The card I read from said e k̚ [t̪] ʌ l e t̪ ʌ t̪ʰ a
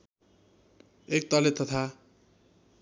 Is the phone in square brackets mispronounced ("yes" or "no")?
no